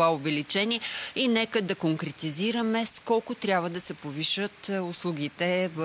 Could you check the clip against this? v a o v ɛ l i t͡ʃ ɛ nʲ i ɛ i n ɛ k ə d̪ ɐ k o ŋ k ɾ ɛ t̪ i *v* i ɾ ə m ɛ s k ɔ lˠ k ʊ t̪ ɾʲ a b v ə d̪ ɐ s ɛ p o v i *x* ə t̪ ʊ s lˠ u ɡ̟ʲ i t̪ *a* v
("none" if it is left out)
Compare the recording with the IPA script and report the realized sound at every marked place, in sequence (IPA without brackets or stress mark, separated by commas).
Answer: z, ʃ, ɛ